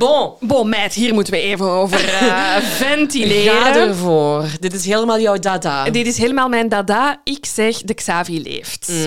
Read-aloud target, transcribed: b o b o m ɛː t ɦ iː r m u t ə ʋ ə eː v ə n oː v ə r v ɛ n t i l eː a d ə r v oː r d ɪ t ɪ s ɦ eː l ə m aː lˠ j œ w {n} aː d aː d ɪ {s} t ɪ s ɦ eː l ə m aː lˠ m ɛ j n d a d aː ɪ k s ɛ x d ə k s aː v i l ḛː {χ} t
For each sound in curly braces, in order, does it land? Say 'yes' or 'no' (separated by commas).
no, no, no